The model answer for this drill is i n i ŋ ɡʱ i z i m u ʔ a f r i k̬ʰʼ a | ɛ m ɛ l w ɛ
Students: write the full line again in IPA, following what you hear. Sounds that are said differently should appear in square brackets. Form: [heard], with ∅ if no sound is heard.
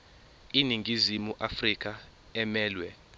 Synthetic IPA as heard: i n i ŋ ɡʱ i z i m u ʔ a f r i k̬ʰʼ a | ɛ m [ɛː] l w ɛ